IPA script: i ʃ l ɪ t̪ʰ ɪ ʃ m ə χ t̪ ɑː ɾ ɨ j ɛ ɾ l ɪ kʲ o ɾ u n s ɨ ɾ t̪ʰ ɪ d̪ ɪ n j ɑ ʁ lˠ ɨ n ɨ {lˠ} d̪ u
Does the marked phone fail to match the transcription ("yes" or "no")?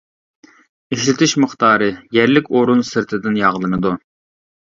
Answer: yes